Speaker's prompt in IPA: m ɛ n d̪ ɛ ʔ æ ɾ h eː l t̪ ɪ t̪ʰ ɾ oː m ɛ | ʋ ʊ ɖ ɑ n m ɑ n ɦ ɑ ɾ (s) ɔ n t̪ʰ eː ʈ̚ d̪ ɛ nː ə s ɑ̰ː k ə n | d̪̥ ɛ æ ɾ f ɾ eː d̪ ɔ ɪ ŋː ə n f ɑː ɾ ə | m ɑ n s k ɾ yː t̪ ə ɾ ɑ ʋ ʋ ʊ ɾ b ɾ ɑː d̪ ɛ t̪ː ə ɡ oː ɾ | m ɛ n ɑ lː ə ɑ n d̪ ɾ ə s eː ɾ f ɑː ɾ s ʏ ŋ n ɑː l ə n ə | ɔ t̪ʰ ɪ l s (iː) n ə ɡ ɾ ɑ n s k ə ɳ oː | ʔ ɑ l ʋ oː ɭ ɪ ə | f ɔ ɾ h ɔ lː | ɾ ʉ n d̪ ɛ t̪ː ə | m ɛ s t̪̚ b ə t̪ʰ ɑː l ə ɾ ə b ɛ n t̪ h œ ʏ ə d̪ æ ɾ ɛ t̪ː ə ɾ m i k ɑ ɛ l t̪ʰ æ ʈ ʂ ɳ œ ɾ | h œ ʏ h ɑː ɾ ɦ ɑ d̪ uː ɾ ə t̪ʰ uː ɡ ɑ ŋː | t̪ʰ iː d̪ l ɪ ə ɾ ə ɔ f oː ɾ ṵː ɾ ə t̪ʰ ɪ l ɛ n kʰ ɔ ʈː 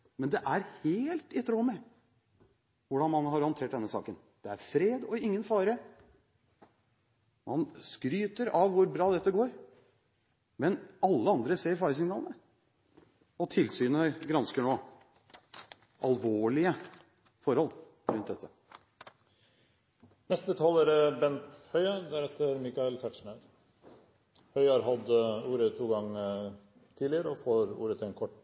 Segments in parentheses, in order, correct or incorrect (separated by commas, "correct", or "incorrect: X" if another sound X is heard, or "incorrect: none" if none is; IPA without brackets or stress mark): incorrect: h, incorrect: yː